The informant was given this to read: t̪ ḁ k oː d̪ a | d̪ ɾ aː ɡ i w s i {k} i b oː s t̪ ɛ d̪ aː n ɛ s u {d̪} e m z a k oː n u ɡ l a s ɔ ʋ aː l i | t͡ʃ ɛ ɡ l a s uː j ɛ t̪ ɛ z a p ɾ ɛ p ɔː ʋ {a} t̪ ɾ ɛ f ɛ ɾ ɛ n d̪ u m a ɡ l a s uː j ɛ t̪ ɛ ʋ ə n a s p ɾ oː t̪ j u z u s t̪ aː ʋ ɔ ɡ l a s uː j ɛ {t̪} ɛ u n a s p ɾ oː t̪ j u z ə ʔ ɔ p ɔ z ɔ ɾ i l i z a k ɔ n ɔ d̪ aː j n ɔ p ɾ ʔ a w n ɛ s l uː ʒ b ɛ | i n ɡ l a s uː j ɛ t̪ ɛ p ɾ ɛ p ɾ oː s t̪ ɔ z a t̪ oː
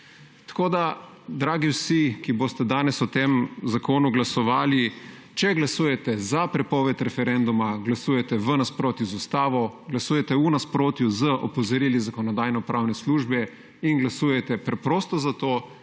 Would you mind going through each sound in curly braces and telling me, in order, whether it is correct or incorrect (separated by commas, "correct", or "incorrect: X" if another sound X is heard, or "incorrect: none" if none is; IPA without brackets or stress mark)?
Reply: correct, incorrect: t̪, incorrect: ɛ, correct